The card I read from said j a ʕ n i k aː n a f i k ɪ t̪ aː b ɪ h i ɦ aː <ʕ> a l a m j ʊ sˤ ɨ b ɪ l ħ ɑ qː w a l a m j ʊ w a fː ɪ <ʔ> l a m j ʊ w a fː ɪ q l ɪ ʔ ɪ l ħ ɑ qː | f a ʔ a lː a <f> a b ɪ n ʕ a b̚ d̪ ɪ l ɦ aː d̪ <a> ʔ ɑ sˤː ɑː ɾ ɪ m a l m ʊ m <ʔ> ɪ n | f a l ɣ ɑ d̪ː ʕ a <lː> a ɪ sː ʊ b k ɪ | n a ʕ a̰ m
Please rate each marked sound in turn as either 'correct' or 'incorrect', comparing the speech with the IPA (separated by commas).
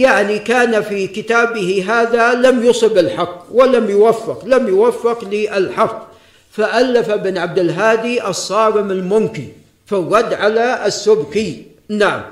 incorrect, incorrect, correct, incorrect, incorrect, incorrect